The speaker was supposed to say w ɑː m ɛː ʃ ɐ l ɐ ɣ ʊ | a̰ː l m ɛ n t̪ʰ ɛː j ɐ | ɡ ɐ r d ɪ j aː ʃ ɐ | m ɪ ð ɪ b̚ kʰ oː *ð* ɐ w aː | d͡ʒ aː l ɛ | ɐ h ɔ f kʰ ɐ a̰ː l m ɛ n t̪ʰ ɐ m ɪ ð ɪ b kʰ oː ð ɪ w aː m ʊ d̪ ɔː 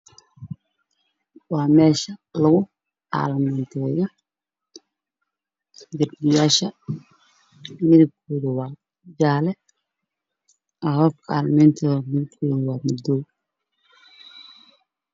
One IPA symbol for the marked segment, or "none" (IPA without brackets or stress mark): ð